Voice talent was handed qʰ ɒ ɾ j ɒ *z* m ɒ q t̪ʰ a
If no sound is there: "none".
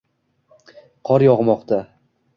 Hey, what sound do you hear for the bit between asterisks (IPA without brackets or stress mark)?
ʁ